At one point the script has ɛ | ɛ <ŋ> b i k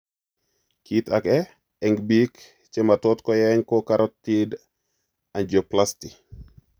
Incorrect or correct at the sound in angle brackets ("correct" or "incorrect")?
correct